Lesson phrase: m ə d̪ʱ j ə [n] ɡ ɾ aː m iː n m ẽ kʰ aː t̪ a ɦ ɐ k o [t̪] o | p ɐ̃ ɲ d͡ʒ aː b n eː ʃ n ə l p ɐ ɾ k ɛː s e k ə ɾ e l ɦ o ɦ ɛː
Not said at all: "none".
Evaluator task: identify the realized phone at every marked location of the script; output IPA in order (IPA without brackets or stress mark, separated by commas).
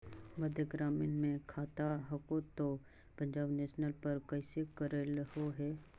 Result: none, t̪